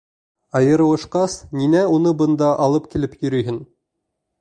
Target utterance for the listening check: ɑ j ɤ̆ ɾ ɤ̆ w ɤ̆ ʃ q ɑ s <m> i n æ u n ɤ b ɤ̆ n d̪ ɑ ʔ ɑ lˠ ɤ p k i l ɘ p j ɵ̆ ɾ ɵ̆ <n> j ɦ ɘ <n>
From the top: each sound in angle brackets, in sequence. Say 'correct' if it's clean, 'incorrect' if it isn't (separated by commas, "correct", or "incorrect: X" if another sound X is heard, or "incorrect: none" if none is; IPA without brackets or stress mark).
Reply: incorrect: n, incorrect: none, correct